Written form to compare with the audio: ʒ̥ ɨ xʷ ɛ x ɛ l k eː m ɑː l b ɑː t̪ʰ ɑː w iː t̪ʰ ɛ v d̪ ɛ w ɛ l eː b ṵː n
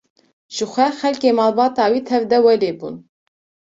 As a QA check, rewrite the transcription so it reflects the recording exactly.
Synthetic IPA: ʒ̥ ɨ xʷ ɛ x ɛ l k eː m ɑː l b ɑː t̪ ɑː w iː t̪ʰ ɛ v d̪ ɛ w ɛ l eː b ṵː n